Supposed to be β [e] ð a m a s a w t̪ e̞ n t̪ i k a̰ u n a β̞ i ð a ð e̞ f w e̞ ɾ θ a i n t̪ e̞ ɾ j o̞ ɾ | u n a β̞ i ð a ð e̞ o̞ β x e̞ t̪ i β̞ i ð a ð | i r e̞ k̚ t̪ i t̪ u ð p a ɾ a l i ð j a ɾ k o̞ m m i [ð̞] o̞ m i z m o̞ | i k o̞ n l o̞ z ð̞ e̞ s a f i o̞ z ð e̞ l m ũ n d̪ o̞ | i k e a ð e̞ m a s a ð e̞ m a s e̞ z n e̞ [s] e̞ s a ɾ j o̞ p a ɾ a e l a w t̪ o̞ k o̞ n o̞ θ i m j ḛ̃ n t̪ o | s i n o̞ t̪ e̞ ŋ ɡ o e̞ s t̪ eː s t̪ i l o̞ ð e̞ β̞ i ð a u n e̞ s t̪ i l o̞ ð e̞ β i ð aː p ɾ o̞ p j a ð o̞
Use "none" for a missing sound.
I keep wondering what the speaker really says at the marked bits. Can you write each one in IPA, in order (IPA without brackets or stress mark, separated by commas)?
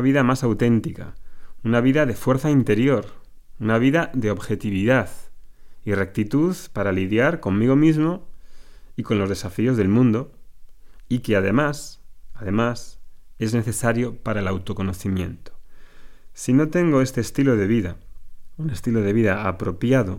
i, ɣ̞, θ